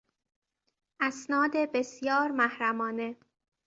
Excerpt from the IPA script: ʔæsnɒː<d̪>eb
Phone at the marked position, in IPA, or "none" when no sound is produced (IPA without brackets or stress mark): d̪